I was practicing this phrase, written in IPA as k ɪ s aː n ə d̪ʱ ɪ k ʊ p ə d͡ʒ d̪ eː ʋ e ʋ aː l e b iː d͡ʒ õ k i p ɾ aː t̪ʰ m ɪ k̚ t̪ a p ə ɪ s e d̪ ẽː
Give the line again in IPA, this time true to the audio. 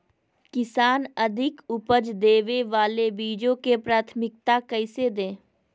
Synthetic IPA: k ɪ s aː n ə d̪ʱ ɪ k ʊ p ə d͡ʒ d̪ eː ʋ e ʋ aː l e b iː d͡ʒ õ k e p ɾ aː t̪ʰ m ɪ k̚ t̪ a k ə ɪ s e d̪ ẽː